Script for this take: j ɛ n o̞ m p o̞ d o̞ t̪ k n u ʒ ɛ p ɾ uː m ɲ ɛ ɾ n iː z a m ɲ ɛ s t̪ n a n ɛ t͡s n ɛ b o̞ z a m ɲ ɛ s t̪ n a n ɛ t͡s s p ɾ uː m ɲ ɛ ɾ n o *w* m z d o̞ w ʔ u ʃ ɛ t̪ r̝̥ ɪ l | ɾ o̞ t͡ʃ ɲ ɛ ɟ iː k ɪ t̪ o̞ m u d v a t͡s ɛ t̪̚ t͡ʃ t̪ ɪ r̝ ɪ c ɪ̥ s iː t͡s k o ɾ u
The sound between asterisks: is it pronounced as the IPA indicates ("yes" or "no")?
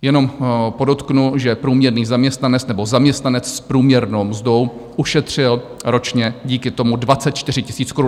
yes